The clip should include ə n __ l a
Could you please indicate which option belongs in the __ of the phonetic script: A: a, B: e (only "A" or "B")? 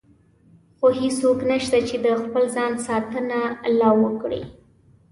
A